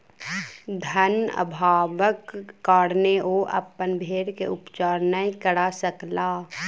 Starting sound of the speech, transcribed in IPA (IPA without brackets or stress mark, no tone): d̪ʱ